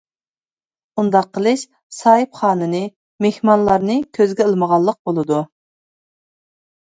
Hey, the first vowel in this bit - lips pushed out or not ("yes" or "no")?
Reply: yes